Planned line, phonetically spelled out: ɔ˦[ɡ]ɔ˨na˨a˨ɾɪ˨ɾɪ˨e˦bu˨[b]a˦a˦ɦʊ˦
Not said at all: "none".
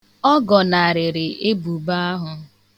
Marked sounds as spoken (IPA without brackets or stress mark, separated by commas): ɡ, b